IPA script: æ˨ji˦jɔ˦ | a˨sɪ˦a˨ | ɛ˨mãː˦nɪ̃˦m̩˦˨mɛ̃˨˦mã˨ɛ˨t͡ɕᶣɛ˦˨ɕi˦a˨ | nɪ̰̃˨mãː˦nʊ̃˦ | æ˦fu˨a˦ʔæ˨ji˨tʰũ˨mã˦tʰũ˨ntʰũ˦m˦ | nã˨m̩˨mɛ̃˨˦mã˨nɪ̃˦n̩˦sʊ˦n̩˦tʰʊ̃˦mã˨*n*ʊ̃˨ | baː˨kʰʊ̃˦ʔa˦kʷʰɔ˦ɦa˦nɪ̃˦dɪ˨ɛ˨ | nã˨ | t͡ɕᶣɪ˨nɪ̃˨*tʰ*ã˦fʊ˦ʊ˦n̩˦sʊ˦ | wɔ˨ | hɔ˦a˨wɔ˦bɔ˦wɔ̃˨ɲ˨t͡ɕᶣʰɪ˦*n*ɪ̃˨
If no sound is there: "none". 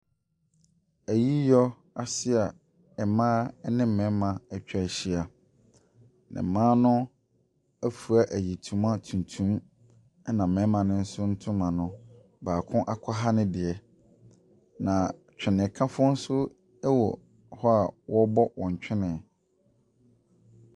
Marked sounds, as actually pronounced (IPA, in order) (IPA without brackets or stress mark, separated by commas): n, kʰ, n